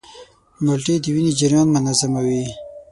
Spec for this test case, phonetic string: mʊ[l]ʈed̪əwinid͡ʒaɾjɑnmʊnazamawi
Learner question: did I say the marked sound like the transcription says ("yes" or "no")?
yes